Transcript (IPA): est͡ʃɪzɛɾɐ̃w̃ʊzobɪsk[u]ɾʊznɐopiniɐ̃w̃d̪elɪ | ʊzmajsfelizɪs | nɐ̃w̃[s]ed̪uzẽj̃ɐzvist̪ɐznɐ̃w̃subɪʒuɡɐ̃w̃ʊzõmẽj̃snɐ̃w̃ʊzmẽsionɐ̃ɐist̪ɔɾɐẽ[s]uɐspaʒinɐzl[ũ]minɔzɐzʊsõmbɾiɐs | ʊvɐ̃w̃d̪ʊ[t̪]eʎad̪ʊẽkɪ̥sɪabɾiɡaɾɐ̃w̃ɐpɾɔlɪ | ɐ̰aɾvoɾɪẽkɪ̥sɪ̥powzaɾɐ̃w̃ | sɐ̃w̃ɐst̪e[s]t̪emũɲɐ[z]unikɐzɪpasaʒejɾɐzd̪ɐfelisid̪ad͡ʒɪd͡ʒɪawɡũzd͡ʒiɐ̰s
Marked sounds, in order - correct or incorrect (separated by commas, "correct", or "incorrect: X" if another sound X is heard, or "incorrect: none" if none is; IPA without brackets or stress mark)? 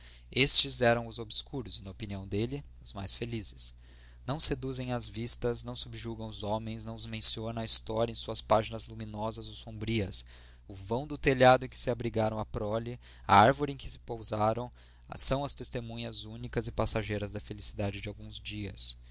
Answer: correct, correct, correct, incorrect: u, correct, correct, correct